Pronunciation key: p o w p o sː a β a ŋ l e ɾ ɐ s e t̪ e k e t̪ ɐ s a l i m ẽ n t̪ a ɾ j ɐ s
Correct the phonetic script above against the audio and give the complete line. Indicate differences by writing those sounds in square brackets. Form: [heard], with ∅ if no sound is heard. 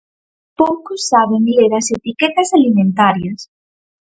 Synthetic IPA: p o w [k] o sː a β [e] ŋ l e ɾ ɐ s e t̪ [i] k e t̪ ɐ s a l i m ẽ n t̪ a ɾ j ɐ s